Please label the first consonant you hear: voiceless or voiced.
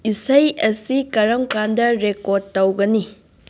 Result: voiceless